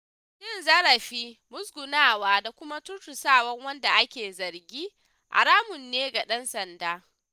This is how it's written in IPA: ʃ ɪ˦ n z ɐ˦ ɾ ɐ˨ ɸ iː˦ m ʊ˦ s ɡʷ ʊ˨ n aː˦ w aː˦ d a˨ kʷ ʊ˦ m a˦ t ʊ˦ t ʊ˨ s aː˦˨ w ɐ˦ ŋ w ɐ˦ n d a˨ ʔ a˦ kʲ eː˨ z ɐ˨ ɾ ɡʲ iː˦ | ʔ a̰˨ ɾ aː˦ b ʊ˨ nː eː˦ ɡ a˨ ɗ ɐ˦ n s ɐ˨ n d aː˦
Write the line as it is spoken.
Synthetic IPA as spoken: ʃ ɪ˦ n z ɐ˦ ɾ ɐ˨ ɸ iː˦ m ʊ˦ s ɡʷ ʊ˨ n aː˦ w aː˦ d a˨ kʷ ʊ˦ m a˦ t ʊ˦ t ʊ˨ s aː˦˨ w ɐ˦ ŋ w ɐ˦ n d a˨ ʔ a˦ kʲ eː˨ z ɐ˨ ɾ ɡʲ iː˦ | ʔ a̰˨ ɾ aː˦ m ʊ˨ nː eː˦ ɡ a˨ ɗ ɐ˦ n s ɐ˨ n d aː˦